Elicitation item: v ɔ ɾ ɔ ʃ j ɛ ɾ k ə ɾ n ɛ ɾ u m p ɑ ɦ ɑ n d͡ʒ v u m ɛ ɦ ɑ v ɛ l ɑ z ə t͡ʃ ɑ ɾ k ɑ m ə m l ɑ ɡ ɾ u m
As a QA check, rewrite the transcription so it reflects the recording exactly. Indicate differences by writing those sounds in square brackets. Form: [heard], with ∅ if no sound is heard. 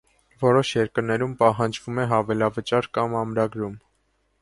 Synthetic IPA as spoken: v ɔ ɾ ɔ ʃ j ɛ ɾ k ə ɾ n ɛ ɾ u m p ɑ ɦ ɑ n d͡ʒ v u m ɛ ɦ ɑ v ɛ l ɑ [v] ə t͡ʃ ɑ ɾ k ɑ m [ɑ] m [ɾ] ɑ ɡ ɾ u m